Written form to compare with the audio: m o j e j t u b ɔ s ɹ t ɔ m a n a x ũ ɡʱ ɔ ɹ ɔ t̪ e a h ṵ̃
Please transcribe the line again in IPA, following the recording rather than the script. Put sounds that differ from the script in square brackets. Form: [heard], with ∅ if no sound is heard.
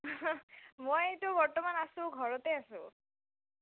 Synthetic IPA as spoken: m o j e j t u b ɔ [∅] ɹ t ɔ m a n a [s] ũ ɡʱ ɔ ɹ ɔ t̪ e a [s] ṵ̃

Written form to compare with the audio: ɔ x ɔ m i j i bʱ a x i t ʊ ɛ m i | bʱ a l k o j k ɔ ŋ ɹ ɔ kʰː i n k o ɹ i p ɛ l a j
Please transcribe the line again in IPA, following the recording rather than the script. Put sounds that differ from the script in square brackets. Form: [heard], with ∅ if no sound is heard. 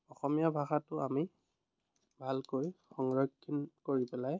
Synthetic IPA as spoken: ɔ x ɔ m i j [a] bʱ a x [a] t ʊ [a] m i | bʱ a l k o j [x] ɔ ŋ ɹ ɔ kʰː i n k o ɹ i p ɛ l a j

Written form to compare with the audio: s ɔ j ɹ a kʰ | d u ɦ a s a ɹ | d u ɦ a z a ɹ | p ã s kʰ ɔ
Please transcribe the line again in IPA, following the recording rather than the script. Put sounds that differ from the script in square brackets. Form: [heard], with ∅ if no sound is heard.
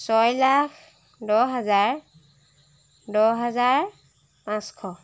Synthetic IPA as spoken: s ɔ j [l] a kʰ | d [ɔ] ɦ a [z] a ɹ | d [ɔ] ɦ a z a ɹ | p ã s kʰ ɔ

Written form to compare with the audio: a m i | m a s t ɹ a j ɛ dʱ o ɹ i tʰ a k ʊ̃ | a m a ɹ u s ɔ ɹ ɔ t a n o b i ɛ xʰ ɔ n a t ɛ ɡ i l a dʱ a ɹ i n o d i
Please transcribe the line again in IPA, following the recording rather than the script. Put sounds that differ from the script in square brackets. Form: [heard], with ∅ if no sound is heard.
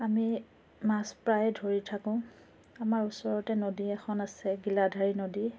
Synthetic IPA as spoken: a m i | m a s [p] ɹ a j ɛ dʱ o ɹ i tʰ a k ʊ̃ | a m a ɹ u s ɔ ɹ ɔ t [ɛ] n o [d] i ɛ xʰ ɔ n a [s] ɛ ɡ i l a dʱ a ɹ i n o d i

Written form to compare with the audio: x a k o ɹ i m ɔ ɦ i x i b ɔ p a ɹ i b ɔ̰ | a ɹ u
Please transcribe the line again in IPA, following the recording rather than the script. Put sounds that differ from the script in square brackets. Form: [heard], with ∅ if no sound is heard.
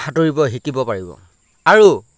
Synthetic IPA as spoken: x a [t] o ɹ i [b] ɔ ɦ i [k] i b ɔ p a ɹ i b ɔ̰ | a ɹ u

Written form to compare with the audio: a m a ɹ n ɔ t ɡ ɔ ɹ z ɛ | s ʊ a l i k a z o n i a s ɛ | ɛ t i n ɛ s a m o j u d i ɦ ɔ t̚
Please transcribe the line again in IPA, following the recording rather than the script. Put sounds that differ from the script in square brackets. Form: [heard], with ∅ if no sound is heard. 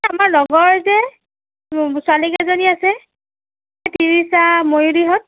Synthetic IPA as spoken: a m a ɹ n ɔ [∅] ɡ ɔ ɹ z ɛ | s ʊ a l i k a z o n i a s ɛ | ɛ t i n [i] s a m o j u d i ɦ ɔ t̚

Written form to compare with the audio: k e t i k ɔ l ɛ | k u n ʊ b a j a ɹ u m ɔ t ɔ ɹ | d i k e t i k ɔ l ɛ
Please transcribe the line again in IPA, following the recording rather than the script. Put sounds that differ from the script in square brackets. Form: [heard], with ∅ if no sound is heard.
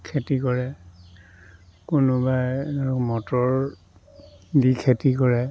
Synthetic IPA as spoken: [kʰ] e t i k ɔ [ɹ] ɛ | k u n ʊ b a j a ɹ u m ɔ t ɔ ɹ | d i [kʰ] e t i k ɔ [ɹ] ɛ

